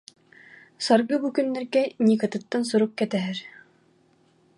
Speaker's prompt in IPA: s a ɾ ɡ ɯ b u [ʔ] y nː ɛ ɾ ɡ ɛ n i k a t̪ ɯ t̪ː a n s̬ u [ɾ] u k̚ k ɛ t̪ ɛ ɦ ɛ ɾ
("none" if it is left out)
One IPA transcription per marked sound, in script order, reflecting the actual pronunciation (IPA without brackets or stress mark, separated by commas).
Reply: k, ɾ